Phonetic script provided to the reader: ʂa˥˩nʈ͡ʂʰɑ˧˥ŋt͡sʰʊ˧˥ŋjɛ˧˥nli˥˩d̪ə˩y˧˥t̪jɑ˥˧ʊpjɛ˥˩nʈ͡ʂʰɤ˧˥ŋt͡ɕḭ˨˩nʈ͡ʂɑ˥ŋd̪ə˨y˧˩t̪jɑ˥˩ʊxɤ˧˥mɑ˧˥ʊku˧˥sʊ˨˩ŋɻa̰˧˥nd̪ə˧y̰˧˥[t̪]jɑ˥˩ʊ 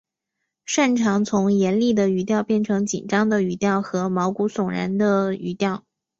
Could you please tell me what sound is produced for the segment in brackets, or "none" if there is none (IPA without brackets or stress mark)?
t̪